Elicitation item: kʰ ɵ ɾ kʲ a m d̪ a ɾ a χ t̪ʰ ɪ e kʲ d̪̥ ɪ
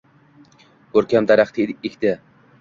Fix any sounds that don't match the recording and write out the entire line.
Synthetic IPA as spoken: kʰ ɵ ɾ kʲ a m d̪ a ɾ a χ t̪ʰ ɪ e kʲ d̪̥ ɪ